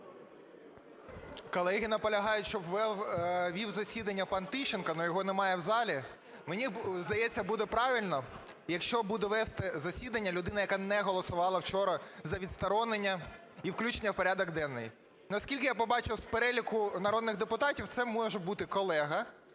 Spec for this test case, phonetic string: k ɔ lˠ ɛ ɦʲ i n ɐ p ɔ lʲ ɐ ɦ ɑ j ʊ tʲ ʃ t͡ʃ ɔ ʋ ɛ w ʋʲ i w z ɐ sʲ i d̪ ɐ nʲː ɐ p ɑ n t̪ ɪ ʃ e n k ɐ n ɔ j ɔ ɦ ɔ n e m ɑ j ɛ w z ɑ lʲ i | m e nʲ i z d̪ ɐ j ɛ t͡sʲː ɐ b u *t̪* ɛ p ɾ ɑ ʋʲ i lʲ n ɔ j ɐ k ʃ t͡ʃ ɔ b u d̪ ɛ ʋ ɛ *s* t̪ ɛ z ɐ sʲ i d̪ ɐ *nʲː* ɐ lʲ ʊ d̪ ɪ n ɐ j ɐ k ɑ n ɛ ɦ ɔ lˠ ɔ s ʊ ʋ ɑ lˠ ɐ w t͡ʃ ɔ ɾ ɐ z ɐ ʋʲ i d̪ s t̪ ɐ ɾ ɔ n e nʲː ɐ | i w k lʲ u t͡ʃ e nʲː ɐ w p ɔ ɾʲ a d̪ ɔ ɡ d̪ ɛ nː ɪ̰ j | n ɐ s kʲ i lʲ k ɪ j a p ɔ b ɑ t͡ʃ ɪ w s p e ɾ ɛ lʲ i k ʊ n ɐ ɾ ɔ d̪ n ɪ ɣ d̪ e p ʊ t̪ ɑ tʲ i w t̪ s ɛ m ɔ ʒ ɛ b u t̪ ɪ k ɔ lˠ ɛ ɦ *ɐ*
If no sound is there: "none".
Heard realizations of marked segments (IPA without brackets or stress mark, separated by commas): d̪, s, nʲː, ɐ